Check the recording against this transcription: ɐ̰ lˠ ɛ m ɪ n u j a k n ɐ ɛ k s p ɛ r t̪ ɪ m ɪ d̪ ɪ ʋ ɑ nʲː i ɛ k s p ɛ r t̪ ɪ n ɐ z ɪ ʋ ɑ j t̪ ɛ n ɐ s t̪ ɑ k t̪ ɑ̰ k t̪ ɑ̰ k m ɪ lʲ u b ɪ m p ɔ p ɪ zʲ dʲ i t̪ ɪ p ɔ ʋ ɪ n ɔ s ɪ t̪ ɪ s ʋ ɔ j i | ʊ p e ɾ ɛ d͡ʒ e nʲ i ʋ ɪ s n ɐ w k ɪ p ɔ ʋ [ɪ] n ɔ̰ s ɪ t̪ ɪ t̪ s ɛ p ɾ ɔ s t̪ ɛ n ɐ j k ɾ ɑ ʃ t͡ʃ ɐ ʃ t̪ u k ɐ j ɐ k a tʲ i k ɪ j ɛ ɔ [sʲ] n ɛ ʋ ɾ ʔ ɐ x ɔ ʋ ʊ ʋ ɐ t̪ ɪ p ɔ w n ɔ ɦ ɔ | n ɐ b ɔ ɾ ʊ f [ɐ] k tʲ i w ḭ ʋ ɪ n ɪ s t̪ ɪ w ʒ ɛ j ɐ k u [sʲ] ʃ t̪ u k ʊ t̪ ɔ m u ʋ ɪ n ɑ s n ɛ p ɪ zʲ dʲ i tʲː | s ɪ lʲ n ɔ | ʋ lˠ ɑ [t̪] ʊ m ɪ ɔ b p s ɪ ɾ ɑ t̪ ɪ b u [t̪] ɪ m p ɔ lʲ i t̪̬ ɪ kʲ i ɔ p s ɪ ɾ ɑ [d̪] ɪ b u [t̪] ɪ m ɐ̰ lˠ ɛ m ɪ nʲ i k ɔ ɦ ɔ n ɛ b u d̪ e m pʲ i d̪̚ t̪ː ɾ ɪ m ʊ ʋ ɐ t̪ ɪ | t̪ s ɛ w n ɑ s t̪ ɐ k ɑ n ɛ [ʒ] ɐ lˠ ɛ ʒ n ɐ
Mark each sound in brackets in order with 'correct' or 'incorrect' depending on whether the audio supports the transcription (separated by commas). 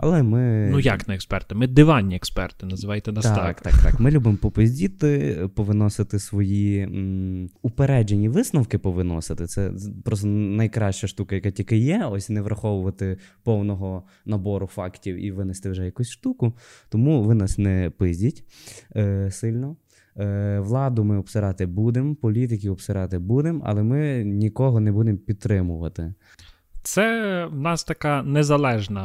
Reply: correct, correct, incorrect, correct, incorrect, incorrect, incorrect, incorrect, incorrect